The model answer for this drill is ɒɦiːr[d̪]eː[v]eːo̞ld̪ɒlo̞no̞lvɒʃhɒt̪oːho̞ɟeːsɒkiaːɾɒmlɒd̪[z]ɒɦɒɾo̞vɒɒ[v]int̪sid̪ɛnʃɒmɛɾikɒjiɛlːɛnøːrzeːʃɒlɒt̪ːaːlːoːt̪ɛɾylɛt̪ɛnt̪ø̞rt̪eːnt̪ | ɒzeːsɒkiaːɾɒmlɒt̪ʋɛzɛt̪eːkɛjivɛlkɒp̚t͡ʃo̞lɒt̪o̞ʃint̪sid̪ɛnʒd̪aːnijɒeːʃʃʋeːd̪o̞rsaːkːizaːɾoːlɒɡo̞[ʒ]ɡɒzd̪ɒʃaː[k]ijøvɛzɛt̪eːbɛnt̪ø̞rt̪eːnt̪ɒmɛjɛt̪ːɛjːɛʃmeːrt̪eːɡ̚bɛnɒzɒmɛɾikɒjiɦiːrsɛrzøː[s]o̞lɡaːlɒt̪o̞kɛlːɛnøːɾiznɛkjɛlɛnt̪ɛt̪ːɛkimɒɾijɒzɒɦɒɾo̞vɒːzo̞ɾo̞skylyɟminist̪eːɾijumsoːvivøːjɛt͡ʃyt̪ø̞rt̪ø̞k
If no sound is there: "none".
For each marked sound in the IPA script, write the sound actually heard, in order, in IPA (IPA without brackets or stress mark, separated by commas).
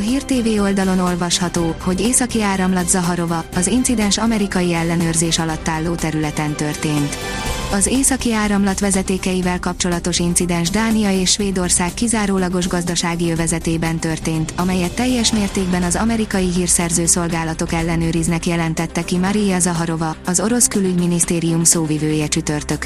t̪, v, z, z, ʒ, ɡ, s